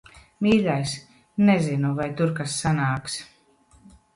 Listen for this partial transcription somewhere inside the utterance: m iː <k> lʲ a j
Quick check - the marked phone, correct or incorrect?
incorrect